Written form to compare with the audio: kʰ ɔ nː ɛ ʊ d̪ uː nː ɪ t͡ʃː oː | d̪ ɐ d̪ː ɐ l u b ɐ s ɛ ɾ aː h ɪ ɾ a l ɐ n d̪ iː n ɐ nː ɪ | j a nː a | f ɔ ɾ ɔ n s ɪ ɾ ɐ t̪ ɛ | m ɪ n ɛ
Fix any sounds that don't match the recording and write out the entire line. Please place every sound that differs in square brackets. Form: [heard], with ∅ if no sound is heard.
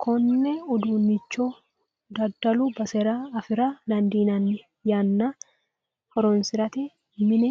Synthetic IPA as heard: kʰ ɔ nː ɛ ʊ d̪ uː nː ɪ t͡ʃː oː | d̪ ɐ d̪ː ɐ l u b ɐ s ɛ ɾ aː [f] ɪ ɾ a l ɐ n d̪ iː n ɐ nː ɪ | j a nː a | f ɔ ɾ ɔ n s ɪ ɾ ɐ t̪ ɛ | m ɪ n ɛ

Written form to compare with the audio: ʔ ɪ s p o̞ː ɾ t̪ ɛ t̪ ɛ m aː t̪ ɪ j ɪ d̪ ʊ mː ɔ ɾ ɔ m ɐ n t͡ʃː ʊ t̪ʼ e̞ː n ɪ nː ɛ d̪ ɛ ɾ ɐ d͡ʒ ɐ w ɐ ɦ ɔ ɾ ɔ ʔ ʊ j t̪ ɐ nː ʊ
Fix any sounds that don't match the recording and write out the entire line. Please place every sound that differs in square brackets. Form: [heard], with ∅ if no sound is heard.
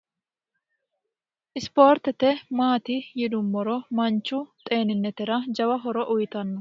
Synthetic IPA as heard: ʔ ɪ s p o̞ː ɾ t̪ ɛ t̪ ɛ m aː t̪ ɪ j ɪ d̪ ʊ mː ɔ ɾ ɔ m ɐ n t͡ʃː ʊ t̪ʼ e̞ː n ɪ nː ɛ [t̪] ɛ ɾ ɐ d͡ʒ ɐ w ɐ ɦ ɔ ɾ ɔ ʔ ʊ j t̪ ɐ nː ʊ

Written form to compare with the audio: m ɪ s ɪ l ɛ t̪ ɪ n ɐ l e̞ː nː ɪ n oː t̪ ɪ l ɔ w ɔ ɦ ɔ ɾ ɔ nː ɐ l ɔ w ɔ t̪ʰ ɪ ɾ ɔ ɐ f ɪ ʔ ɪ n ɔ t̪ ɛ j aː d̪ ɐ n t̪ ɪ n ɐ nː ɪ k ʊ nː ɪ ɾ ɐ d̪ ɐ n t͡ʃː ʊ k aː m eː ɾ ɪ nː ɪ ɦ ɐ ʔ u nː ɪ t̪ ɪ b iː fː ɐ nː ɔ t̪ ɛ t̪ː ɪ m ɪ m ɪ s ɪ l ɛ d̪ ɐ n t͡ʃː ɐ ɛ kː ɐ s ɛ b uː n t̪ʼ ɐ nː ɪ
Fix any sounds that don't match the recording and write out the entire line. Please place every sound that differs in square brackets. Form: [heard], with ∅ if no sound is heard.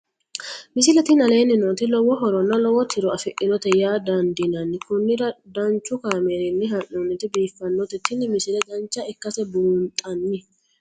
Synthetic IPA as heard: m ɪ s ɪ l ɛ t̪ ɪ n ɐ l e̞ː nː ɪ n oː t̪ ɪ l ɔ w ɔ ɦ ɔ ɾ ɔ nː ɐ l ɔ w ɔ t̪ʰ ɪ ɾ ɔ ɐ f ɪ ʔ ɪ n ɔ t̪ ɛ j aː d̪ ɐ n [d̪] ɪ n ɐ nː ɪ k ʊ nː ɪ ɾ ɐ d̪ ɐ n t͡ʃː ʊ k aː m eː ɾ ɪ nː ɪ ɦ ɐ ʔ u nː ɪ t̪ ɪ b iː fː ɐ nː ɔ t̪ ɛ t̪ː ɪ [n] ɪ m ɪ s ɪ l ɛ d̪ ɐ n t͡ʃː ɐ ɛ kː ɐ s ɛ b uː n t̪ʼ ɐ nː ɪ

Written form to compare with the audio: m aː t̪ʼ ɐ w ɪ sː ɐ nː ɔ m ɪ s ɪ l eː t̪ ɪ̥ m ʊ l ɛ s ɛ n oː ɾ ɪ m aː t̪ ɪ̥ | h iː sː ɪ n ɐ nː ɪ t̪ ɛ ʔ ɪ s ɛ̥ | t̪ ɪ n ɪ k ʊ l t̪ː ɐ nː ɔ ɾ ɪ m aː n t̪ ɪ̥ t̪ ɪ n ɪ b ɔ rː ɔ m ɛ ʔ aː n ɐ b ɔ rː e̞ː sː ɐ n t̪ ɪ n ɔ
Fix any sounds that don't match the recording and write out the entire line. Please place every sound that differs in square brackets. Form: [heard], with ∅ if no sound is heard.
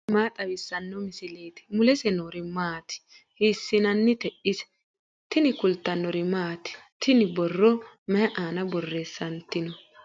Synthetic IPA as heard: m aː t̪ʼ ɐ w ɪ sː ɐ nː ɔ m ɪ s ɪ l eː t̪ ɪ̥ m ʊ l ɛ s ɛ n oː ɾ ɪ m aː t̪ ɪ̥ | h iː sː ɪ n ɐ nː ɪ t̪ ɛ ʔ ɪ s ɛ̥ | t̪ ɪ n ɪ k ʊ l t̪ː ɐ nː ɔ ɾ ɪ m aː [∅] t̪ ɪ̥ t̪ ɪ n ɪ b ɔ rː ɔ m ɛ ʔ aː n ɐ b ɔ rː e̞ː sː ɐ n t̪ ɪ n ɔ

